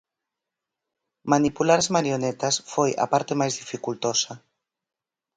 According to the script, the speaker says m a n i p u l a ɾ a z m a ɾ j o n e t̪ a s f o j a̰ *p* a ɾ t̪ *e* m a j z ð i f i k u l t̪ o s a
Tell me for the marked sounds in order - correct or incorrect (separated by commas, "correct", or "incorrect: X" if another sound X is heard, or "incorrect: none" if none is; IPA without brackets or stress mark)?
correct, correct